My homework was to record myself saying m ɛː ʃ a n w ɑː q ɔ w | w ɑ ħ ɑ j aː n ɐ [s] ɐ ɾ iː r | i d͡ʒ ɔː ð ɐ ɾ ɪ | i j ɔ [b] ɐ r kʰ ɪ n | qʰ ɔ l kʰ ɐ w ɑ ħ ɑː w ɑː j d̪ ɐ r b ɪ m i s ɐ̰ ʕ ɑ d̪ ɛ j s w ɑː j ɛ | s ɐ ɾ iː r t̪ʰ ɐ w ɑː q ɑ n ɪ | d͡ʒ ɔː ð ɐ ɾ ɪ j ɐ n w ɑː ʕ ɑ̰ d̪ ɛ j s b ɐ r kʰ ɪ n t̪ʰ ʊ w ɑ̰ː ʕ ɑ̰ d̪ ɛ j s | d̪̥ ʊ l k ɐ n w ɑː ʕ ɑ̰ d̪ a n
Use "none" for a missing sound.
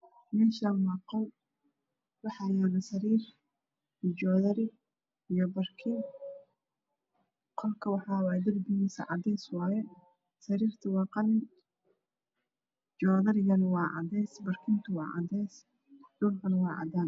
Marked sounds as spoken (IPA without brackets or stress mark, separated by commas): s, b